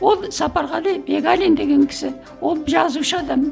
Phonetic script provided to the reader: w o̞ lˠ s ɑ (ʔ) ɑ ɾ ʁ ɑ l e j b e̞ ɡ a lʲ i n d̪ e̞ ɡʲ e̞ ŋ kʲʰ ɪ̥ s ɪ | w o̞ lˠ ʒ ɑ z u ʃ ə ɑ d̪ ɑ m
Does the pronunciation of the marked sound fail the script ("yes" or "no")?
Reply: yes